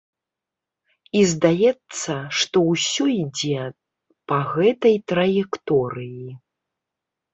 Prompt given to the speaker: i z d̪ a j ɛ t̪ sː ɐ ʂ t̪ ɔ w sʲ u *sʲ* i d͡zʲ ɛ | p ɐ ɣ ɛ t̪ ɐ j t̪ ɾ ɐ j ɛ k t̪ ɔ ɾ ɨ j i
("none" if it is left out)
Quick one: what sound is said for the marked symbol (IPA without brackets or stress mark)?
none